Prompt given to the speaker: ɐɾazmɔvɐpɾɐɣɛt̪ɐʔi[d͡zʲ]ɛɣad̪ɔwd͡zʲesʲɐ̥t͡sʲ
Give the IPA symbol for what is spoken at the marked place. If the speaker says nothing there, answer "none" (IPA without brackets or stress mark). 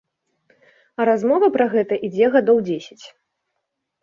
d͡zʲ